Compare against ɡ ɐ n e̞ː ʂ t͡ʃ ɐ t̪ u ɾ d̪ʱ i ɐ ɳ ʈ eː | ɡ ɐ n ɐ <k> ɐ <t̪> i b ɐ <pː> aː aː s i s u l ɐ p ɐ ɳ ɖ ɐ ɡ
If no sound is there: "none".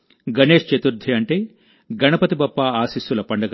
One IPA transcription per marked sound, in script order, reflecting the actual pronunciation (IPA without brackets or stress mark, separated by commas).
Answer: p, t̪, pː